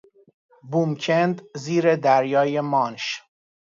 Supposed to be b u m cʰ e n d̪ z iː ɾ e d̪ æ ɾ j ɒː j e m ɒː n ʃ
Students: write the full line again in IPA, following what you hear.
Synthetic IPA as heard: b u m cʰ e n d̪ z iː ɾ e d̪ æ ɾ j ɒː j e m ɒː n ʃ